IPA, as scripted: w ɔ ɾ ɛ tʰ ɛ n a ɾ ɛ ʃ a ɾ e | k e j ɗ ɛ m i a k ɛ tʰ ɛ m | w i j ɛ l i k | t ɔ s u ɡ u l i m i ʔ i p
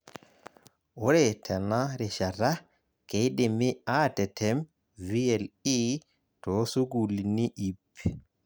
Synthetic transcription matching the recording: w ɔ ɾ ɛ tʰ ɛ n a ɾ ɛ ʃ a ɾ a | k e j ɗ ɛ m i a t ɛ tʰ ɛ m | v i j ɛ l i | t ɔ s u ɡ u l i n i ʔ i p